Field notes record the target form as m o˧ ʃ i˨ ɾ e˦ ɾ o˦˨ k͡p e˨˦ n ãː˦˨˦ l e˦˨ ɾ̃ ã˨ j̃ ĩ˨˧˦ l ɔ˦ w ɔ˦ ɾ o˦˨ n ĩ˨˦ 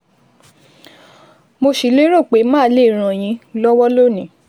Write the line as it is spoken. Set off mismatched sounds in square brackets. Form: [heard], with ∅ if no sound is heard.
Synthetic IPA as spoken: m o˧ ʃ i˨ [l] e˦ ɾ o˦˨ k͡p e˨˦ [m] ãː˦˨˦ l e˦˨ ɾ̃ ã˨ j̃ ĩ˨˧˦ l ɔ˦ w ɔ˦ [l] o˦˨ n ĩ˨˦

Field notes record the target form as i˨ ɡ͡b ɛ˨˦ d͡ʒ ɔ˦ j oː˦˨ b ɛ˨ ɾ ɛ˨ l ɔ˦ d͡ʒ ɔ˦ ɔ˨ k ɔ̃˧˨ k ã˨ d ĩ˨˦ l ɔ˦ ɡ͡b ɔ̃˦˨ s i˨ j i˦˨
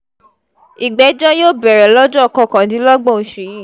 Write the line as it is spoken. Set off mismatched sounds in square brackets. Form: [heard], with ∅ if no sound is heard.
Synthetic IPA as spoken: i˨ ɡ͡b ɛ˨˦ d͡ʒ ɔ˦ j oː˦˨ b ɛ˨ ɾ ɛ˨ l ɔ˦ d͡ʒ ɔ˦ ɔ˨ k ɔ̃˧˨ k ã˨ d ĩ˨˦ l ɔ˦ ɡ͡b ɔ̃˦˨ [ʃ] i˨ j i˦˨

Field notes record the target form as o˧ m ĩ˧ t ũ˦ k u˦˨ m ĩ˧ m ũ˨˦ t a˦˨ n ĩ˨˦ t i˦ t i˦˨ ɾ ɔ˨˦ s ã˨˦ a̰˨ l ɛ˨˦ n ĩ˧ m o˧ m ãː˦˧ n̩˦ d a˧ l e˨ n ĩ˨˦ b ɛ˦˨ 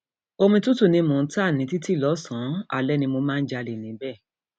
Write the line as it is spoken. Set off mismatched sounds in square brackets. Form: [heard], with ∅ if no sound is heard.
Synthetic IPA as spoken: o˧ m ĩ˧ t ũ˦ [t] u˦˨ [n] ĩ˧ m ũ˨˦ t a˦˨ n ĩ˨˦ t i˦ t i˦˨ [l] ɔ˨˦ s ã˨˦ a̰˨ l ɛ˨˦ n ĩ˧ m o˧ m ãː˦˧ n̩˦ [d͡ʒ] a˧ l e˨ n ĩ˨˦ b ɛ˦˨

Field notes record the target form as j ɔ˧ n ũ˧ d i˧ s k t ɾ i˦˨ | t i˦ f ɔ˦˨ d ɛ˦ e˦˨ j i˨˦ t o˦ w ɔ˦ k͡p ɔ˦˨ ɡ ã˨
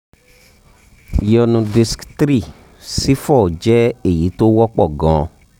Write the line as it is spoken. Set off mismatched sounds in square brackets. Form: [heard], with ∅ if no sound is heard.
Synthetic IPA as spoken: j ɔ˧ n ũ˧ d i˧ s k t ɾ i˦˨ | [s] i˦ f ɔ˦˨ [d͡ʒ] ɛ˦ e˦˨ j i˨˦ t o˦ w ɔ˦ k͡p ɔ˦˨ ɡ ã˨

